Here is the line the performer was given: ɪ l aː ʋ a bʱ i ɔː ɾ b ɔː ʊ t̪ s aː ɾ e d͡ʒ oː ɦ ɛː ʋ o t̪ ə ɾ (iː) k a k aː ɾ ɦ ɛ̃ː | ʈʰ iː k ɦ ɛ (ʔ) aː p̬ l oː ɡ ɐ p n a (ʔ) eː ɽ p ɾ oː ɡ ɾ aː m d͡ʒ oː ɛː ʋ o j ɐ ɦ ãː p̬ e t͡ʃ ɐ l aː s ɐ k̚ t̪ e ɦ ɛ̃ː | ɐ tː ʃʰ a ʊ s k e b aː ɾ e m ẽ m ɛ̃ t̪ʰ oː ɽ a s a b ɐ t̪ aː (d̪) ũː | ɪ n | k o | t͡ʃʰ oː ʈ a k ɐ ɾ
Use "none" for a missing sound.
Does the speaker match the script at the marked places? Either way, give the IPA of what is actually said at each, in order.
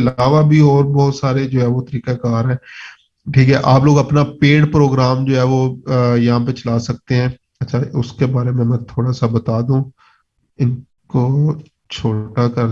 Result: iː, ʔ, p, d̪

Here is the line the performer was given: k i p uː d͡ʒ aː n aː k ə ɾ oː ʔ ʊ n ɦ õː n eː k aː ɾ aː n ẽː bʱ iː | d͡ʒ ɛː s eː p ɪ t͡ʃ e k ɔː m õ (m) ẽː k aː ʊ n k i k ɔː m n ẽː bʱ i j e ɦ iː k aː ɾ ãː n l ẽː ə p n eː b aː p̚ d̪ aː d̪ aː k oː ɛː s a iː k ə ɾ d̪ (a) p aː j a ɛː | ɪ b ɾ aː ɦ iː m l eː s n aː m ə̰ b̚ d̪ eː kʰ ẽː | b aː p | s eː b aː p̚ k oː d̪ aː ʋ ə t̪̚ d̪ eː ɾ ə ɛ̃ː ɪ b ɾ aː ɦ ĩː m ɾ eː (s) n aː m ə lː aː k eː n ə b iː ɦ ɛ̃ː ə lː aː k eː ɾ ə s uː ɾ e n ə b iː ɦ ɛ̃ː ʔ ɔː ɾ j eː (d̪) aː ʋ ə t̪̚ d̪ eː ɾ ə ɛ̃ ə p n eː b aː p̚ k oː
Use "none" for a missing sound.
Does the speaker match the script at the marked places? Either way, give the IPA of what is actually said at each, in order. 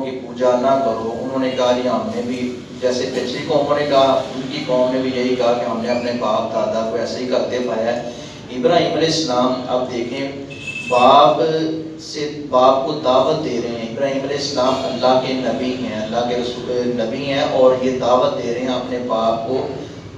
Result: n, e, s, d̪

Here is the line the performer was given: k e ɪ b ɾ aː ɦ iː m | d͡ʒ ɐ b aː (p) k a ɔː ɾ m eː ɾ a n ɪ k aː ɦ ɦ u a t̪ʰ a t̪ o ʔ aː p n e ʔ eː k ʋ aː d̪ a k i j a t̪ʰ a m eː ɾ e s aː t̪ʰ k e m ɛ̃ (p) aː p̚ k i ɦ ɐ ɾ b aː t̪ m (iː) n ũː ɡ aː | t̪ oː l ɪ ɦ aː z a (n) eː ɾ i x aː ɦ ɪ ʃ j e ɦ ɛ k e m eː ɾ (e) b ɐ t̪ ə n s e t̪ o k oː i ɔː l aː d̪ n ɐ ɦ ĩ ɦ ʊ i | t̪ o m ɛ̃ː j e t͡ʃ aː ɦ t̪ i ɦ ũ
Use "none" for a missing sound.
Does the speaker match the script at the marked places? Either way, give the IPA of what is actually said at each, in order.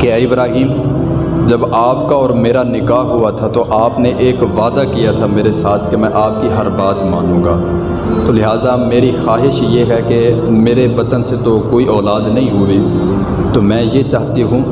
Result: p, ʔ, aː, m, e

